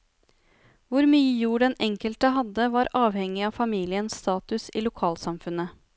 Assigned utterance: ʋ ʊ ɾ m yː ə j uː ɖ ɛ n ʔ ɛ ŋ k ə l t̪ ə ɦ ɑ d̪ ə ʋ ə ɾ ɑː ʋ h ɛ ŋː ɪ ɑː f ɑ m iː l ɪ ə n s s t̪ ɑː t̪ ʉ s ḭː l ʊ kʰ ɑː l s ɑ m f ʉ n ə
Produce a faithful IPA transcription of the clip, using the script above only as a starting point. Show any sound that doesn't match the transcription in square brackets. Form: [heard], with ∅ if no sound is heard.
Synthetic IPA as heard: ʋ ʊ ɾ m yː ə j uː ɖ ɛ n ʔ ɛ ŋ k ə l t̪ ə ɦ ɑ d̪ ə ʋ [ɑ] ɾ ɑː ʋ h ɛ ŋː ɪ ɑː f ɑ m iː l ɪ ə n s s t̪ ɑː t̪ ʉ s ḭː l ʊ kʰ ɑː l s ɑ m f ʉ n ə